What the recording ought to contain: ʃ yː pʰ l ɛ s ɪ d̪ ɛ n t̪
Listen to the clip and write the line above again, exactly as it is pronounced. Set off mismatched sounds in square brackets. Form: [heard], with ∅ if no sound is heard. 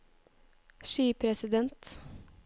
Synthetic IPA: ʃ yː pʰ [ɾ] ɛ s ɪ d̪ ɛ n t̪